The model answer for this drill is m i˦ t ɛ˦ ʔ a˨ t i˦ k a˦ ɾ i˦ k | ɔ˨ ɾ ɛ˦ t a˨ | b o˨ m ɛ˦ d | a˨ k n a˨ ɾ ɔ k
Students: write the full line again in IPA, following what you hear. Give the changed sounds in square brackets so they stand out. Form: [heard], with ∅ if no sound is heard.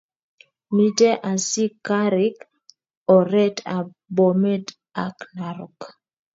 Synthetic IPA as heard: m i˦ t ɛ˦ ʔ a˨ [s] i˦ k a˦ ɾ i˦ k | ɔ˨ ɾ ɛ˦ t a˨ | b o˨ m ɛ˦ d | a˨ k n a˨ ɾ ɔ k